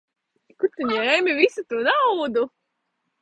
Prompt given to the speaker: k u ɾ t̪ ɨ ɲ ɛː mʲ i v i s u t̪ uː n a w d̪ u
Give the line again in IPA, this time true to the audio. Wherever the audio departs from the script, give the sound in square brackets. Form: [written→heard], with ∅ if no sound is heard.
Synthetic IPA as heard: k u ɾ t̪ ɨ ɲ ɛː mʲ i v i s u t̪ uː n a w d̪ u